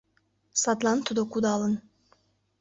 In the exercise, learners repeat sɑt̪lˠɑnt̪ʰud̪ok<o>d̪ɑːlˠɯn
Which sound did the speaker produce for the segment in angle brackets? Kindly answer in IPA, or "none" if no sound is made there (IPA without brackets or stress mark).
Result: u